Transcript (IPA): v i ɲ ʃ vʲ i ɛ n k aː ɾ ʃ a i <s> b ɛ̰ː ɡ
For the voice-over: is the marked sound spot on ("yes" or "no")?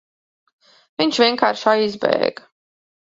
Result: no